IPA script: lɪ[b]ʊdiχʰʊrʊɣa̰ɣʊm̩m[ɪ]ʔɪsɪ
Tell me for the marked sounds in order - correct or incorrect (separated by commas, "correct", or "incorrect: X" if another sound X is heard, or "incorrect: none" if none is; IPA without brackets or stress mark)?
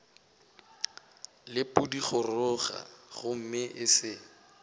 incorrect: p, correct